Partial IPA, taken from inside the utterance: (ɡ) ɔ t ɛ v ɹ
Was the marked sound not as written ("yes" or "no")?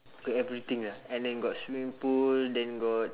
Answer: no